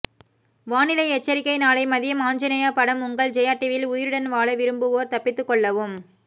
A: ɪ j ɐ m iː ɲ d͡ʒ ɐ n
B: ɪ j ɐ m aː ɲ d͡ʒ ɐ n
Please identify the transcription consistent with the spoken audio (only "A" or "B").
B